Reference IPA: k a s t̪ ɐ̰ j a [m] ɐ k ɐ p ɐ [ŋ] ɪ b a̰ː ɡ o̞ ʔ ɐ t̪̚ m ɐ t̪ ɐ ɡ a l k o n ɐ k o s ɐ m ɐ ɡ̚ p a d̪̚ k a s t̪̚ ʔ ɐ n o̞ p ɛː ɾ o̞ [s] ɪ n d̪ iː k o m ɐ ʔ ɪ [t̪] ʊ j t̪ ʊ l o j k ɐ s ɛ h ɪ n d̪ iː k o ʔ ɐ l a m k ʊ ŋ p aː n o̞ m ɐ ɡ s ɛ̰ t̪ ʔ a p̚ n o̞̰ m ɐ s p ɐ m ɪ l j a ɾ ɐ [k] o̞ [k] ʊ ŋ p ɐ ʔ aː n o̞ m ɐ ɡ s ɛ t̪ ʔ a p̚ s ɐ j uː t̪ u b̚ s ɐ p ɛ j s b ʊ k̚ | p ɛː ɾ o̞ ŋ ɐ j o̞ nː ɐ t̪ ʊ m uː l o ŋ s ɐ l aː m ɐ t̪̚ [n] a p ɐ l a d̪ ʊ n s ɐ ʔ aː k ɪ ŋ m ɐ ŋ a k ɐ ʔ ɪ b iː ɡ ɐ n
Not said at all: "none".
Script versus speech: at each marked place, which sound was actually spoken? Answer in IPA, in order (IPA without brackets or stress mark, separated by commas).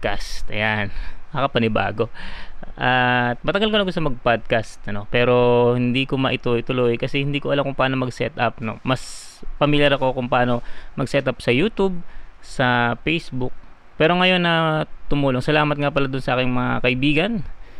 n, n, h, t̪, k, k, ŋ